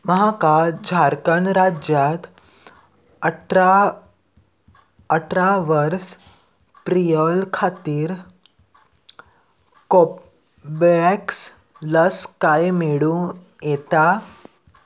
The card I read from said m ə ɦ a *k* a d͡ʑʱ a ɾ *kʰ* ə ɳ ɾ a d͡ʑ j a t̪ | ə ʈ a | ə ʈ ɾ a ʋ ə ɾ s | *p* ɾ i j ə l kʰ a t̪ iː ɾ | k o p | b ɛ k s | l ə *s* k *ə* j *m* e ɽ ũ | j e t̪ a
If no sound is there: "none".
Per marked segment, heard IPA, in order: k, k, p, s, a, m

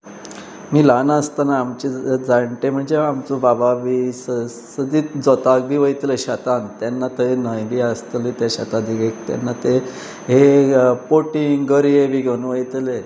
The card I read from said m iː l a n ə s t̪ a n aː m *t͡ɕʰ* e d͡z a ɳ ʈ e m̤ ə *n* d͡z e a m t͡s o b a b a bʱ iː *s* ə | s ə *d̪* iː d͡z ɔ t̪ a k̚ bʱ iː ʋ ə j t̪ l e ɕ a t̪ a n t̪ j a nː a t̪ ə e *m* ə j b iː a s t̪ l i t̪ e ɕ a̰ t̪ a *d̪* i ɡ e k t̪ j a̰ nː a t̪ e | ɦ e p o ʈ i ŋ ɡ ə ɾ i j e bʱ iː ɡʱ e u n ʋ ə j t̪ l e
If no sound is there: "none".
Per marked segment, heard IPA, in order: t͡ɕ, ɳ, s, d̪, n, d̪

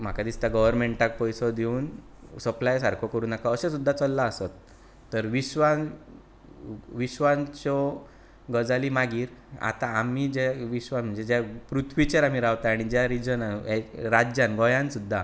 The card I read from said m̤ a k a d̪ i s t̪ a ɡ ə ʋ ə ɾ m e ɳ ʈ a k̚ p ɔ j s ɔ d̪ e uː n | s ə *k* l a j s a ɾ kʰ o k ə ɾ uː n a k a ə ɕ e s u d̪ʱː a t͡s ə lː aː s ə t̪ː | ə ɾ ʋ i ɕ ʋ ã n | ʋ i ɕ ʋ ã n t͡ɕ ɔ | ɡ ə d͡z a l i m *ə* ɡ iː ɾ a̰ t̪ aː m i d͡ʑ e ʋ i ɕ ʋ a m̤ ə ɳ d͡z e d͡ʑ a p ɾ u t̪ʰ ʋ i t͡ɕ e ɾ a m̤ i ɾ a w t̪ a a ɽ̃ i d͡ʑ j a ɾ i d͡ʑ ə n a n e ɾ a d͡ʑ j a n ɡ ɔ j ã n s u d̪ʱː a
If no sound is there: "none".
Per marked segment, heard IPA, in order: p, a

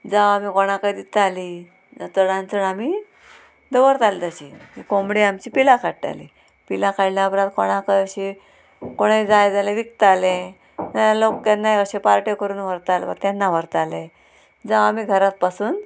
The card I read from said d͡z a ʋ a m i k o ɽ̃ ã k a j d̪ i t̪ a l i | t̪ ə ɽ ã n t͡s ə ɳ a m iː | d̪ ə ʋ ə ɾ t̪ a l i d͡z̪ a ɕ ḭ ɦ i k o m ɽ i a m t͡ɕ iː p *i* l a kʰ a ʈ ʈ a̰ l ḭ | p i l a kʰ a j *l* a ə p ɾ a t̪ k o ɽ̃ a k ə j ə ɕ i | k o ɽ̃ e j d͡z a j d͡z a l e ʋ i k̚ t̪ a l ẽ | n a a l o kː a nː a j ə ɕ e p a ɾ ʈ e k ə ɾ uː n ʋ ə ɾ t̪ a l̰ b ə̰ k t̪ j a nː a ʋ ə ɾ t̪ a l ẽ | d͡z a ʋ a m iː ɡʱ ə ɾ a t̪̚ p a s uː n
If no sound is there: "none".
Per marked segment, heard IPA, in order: i, l

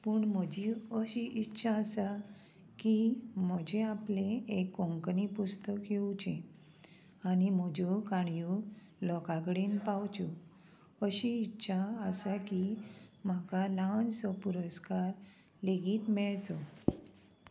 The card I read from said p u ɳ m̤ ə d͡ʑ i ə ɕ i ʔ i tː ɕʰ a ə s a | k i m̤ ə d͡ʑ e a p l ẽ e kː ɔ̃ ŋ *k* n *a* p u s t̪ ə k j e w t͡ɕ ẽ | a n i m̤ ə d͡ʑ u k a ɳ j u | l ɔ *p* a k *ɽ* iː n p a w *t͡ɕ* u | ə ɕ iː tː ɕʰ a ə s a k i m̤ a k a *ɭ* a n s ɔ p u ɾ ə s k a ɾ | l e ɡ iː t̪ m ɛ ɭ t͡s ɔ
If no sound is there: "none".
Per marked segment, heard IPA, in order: k, i, k, ɽ, t͡ɕ, l

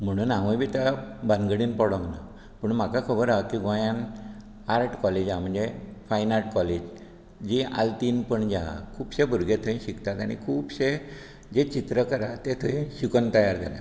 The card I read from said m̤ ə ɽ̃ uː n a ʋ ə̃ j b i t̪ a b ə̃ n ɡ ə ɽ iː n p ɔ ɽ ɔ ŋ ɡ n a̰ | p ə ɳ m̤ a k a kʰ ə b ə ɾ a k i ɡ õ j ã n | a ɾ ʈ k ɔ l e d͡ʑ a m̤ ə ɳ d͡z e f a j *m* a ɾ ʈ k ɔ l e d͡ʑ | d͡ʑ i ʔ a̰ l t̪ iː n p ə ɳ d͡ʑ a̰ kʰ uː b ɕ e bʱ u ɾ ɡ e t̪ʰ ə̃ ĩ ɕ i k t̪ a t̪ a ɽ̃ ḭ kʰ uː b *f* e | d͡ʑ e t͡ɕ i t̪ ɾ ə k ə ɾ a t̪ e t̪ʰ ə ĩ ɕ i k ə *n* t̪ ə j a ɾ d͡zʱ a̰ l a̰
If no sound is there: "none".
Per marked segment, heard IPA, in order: n, ɕ, n

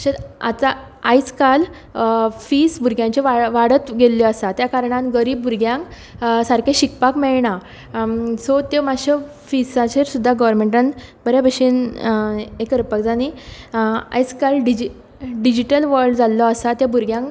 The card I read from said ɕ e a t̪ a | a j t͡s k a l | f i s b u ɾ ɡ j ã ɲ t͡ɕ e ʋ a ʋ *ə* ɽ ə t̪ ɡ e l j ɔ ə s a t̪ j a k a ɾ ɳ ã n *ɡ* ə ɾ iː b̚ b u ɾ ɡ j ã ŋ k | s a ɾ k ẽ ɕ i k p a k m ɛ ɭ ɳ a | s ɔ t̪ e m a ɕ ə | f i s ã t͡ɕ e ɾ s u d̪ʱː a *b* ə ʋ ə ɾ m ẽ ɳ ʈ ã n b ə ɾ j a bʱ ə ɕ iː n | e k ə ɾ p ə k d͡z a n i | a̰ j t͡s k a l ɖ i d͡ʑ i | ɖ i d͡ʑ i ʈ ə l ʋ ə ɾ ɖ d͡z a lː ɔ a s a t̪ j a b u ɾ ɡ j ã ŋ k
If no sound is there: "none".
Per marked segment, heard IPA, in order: a, ɡ, ɡ

